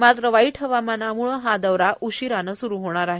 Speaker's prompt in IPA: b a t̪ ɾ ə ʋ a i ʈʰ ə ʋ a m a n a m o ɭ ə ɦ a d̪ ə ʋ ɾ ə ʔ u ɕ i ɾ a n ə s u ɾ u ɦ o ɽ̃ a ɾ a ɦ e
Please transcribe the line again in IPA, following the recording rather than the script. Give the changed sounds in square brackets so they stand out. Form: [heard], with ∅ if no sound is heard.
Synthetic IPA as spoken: [m] a t̪ ɾ ə ʋ a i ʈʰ ə ʋ a m a n a m [u] ɭ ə ɦ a d̪ ə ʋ ɾ [a] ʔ u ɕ i ɾ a n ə s u ɾ u ɦ o ɽ̃ a ɾ a ɦ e